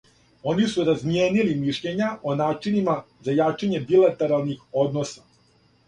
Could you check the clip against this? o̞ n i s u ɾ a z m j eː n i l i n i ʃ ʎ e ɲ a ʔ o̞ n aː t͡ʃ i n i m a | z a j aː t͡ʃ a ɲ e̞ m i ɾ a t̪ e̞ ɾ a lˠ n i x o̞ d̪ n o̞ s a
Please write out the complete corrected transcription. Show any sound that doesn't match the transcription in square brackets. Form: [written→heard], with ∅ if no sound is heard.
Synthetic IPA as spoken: o̞ n i s u ɾ a z m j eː n i l i [n→m] i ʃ ʎ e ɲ a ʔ o̞ n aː t͡ʃ i n i m a | z a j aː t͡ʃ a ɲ e̞ [m→b] i [ɾ→l] a t̪ e̞ ɾ a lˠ n i x o̞ d̪ n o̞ s a